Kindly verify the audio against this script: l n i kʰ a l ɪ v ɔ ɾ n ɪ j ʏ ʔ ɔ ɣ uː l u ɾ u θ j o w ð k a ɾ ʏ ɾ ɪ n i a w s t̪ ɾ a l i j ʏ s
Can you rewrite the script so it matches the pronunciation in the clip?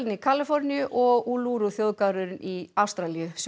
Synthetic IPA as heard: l n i kʰ a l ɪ f ɔ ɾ n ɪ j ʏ ʔ ɔ ɣ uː l u ɾ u θ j o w ð k a ɾ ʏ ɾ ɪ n i a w s t̪ ɾ a l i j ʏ s

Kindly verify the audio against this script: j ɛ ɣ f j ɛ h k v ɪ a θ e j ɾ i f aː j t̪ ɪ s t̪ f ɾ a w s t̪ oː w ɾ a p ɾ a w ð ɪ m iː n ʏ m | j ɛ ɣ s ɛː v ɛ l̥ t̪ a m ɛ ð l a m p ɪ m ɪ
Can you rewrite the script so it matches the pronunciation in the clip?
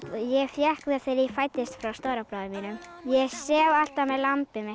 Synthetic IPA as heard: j ɛ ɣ f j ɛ h k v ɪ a θ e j ɾ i f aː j t̪ ɪ s t̪ f ɾ a w s t̪ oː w ɾ a p ɾ a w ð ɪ m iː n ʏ m | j ɛ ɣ s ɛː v a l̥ t̪ a m ɛ ð l a m p ɪ m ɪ

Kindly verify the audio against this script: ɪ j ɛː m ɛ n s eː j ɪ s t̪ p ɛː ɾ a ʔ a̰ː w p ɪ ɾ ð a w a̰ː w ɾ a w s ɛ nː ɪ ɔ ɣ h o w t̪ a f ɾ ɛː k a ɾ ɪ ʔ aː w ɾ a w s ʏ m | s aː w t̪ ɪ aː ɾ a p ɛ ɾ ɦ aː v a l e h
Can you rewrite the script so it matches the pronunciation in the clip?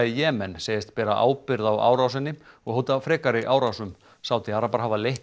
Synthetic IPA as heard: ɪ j ɛː m ɛ n s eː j ɪ s t̪ p ɛː ɾ a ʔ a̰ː w p ɪ ɾ ð a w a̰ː w ɾ a w s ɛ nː ɪ ɔ ɣ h o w t̪ a f ɾ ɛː k a ɾ ɪ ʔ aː w ɾ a w s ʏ m | s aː w t̪ ɪ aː ɾ a p a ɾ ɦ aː v a l e h

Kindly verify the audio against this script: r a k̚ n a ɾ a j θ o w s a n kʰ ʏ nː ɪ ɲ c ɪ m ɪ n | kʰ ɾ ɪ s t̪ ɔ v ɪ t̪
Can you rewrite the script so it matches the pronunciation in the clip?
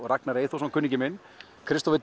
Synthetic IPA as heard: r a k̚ n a ɾ e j θ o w s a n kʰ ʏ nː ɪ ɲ c ɪ m ɪ n | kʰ ɾ ɪ s t̪ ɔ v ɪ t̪

